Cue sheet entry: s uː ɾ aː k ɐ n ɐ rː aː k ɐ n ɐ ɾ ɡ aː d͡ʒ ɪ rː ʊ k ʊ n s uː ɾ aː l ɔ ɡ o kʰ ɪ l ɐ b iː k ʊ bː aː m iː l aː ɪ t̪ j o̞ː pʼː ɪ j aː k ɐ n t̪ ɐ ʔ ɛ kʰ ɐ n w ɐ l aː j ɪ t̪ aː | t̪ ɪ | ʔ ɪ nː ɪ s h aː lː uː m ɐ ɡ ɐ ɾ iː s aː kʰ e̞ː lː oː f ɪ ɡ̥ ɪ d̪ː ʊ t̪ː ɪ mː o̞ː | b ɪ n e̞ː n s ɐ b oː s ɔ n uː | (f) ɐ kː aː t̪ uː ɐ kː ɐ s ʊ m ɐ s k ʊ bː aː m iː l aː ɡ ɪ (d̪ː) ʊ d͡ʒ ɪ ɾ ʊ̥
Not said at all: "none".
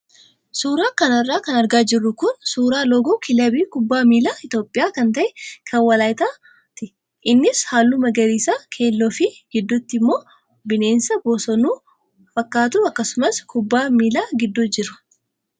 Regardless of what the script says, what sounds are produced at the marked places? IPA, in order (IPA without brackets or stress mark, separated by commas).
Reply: f, d̪ː